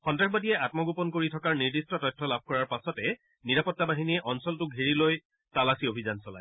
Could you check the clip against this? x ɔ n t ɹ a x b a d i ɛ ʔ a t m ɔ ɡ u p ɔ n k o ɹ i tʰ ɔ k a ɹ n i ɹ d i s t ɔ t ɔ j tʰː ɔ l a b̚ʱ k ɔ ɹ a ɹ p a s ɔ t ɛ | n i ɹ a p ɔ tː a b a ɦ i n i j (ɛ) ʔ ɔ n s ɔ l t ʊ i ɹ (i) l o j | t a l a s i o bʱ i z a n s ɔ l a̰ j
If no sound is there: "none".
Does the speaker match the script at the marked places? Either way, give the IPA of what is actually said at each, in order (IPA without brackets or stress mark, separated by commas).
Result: ɛ, i